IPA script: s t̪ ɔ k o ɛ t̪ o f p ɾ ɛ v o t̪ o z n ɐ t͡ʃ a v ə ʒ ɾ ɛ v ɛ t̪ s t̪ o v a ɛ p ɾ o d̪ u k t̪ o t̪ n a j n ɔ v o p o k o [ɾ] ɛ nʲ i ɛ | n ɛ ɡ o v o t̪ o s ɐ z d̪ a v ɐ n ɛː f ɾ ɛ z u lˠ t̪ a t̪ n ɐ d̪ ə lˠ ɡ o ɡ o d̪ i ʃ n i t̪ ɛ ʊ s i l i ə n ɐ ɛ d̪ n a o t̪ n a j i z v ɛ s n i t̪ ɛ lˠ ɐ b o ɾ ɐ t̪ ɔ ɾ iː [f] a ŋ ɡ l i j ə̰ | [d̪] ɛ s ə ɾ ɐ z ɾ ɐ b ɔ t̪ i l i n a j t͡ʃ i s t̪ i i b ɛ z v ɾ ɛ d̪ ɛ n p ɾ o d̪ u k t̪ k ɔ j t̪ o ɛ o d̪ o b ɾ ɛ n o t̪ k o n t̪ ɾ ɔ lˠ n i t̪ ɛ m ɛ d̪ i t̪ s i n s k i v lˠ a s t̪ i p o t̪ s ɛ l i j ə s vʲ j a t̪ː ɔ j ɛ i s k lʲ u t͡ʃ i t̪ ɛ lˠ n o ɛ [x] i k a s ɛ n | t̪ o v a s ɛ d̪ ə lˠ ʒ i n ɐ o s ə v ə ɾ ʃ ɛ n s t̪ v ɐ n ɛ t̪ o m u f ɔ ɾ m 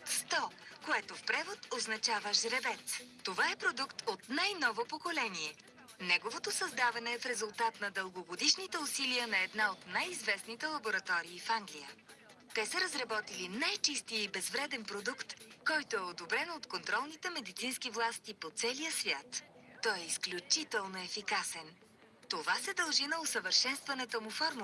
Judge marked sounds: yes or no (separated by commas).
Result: no, yes, no, no